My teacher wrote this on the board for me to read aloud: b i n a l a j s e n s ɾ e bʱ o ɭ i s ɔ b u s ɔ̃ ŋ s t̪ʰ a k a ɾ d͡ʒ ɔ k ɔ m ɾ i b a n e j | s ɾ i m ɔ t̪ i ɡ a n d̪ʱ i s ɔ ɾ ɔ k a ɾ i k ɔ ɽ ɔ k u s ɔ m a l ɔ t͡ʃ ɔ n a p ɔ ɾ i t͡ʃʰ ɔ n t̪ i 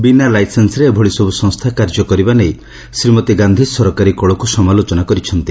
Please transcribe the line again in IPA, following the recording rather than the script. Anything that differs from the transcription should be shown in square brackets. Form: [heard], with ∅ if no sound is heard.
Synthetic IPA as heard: b i n a l a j s e n s ɾ e bʱ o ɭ i s ɔ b u s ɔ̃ ŋ s t̪ʰ a k a ɾ d͡ʒ ɔ k ɔ [∅] ɾ i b a n e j | s ɾ i m ɔ t̪ i ɡ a n d̪ʱ i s ɔ ɾ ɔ k a ɾ i k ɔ [ɭ] ɔ k u s ɔ m a l [o] t͡ʃ ɔ n a [k] ɔ ɾ i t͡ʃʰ ɔ n t̪ i